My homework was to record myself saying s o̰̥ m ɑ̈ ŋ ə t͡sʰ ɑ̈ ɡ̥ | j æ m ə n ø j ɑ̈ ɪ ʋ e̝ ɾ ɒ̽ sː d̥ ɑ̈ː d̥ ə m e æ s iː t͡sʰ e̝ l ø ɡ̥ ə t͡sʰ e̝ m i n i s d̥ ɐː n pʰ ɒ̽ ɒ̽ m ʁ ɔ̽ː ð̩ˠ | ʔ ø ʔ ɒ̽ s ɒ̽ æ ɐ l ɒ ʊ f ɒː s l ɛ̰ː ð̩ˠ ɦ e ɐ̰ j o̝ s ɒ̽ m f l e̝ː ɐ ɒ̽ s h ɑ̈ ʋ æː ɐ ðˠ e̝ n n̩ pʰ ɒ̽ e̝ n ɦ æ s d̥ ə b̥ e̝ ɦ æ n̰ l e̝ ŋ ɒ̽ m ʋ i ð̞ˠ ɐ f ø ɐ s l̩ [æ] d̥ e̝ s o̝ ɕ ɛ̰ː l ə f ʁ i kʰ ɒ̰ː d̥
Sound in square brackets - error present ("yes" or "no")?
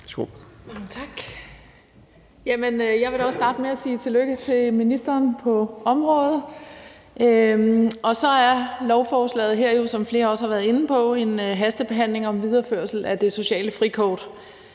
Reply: no